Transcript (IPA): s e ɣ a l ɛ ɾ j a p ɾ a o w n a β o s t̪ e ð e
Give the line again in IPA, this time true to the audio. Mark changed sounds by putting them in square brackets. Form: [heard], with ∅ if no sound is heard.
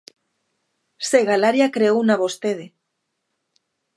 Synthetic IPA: s e ɣ a l [a] ɾ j a [k] ɾ [e] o w n a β o s t̪ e ð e